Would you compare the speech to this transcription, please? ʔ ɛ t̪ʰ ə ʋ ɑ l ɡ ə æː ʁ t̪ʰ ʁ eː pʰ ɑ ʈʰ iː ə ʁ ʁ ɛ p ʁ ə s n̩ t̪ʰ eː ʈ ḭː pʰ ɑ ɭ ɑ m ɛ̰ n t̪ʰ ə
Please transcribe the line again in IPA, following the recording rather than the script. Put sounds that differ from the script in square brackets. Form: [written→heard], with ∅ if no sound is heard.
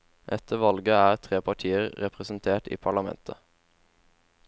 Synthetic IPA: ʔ ɛ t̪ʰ ə ʋ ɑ l ɡ ə æː ʁ t̪ʰ ʁ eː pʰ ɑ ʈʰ iː ə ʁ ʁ ɛ p ʁ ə s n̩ t̪ʰ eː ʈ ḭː pʰ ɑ ɭ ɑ m ɛ̰ n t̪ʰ ə